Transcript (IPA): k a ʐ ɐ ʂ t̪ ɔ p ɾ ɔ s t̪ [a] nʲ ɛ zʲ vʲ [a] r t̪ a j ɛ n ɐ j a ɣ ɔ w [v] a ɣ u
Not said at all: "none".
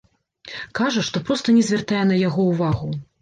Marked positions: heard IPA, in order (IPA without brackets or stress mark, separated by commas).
ɐ, ɛ, v